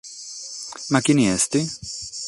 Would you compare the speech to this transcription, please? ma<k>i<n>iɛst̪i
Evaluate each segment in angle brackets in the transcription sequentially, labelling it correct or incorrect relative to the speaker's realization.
correct, correct

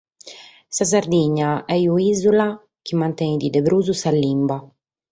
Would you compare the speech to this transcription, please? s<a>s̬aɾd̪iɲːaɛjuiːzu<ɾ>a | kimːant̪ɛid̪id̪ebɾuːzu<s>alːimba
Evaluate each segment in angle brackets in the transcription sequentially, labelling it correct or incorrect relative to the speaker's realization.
correct, incorrect: l, correct

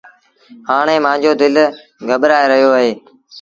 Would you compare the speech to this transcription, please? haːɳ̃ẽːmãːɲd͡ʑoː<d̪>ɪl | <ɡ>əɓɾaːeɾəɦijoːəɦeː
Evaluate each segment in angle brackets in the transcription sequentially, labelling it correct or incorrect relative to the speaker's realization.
correct, correct

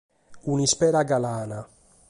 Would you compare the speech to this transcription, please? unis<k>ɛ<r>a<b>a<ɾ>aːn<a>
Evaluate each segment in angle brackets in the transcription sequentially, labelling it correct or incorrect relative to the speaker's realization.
incorrect: p, incorrect: ɾ, incorrect: ɡ, incorrect: l, correct

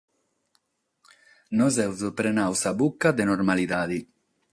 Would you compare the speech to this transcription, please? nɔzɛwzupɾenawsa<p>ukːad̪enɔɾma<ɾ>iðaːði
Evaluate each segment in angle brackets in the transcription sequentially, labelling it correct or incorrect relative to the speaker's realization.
incorrect: b, incorrect: l

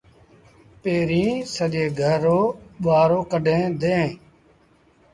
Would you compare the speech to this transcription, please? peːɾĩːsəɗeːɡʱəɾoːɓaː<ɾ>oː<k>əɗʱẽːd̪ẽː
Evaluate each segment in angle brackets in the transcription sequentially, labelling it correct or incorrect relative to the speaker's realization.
correct, correct

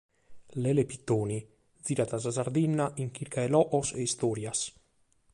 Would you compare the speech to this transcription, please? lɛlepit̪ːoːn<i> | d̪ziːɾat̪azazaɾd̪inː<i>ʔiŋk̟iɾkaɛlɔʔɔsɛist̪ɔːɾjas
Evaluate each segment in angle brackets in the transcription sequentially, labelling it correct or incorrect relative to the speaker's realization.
correct, incorrect: a

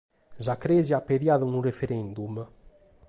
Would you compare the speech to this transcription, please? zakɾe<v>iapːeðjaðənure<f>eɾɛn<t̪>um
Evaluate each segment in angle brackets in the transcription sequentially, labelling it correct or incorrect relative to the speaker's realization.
incorrect: z, correct, incorrect: d̪

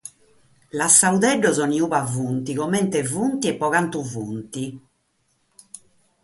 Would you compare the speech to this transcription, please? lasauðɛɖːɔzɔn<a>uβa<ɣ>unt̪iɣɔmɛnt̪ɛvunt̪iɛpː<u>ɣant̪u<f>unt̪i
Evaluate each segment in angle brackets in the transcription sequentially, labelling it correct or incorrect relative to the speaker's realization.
incorrect: i, incorrect: v, incorrect: ɔ, incorrect: v

